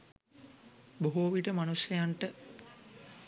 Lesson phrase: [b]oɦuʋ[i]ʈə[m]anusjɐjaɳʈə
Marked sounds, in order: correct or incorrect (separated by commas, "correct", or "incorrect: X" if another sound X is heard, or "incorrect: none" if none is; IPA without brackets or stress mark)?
correct, correct, correct